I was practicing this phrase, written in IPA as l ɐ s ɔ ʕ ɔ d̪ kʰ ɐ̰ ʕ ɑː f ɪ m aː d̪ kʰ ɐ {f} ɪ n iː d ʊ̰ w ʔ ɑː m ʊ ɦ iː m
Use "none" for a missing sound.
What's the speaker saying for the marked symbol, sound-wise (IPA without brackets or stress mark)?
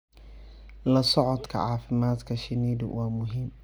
ʃ